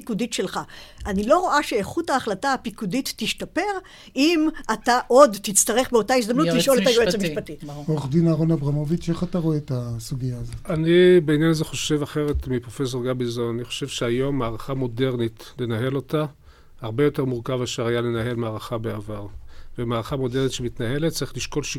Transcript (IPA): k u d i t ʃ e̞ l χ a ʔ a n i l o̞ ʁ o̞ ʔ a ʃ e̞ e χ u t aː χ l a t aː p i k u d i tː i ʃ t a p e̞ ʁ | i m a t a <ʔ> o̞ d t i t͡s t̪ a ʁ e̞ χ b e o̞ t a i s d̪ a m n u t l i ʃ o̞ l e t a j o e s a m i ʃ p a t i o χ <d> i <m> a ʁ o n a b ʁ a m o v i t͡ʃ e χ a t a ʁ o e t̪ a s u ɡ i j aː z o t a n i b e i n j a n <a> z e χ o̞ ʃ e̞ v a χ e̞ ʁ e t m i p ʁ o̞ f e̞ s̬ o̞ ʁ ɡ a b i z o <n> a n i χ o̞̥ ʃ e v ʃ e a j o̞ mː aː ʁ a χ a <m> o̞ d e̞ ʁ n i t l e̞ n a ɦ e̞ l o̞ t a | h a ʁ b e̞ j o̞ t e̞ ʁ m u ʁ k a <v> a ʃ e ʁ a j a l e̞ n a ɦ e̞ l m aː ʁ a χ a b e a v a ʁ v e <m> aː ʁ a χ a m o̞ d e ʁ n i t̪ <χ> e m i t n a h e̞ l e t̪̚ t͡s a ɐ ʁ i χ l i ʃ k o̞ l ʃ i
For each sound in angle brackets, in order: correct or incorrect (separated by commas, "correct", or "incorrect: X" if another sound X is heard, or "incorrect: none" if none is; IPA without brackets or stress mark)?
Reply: correct, correct, incorrect: n, correct, correct, correct, correct, correct, incorrect: ʃ